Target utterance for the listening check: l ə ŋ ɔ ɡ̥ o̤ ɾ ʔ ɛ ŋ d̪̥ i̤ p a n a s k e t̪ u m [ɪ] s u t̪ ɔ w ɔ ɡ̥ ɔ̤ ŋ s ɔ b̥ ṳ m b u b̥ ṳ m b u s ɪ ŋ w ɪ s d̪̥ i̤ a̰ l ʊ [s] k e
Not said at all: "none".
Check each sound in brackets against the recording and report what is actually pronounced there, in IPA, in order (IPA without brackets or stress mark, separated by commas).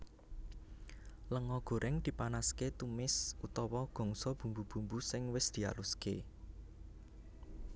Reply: ɪ, s